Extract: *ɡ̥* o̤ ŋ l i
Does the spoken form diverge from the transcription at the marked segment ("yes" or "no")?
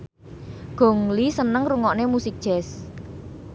no